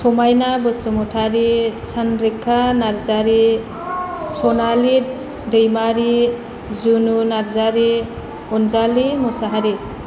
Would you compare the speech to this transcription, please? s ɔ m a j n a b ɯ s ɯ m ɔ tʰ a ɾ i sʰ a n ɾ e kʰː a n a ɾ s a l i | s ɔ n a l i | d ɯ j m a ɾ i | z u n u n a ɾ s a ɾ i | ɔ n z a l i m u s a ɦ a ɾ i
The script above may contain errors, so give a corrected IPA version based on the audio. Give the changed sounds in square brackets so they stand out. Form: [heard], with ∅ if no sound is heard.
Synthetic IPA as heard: s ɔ m a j n a b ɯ s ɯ m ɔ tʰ a ɾ i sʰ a n ɾ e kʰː a n a ɾ [z] a [ɾ] i | s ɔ n a l i | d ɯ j m a ɾ i | z u n u n a ɾ [z] a ɾ i | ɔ n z a l i m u s a ɦ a ɾ i